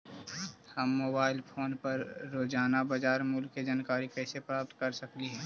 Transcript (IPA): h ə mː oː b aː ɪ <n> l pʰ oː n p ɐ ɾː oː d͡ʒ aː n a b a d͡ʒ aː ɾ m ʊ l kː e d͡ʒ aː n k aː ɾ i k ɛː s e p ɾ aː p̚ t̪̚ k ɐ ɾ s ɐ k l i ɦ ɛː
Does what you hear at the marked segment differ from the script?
yes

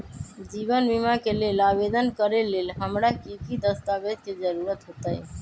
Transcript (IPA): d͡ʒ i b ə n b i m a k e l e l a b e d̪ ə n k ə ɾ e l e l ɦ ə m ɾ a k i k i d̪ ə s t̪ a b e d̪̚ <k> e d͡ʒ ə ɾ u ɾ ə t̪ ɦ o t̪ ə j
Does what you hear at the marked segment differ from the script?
no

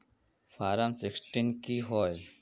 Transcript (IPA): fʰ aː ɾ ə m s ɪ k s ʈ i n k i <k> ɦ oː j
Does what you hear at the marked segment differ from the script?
yes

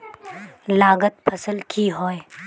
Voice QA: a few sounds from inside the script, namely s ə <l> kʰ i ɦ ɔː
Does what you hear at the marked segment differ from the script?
no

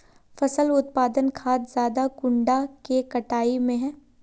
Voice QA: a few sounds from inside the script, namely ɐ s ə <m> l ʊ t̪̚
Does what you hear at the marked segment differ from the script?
yes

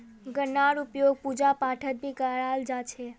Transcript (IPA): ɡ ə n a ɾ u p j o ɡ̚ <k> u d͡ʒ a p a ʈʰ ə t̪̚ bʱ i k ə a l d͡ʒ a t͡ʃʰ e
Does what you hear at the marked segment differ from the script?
yes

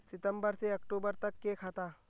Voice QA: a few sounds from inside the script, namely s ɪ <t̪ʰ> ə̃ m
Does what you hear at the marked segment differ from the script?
yes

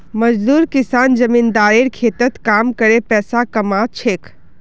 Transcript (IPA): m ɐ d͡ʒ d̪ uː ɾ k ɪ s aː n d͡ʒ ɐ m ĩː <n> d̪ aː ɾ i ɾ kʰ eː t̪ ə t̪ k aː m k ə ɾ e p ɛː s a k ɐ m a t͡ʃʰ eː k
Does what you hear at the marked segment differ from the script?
no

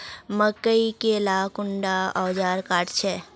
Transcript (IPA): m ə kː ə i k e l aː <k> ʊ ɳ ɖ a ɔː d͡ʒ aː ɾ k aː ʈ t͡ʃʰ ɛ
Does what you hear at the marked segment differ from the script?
no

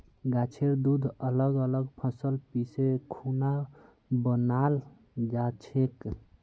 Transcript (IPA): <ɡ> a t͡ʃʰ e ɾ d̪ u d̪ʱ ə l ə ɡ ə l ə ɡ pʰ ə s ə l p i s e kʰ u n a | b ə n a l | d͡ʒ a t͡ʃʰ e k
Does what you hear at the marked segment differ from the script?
no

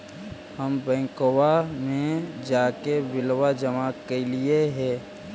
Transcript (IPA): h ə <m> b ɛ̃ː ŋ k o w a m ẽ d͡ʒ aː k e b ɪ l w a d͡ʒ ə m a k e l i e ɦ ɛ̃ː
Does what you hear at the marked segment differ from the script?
no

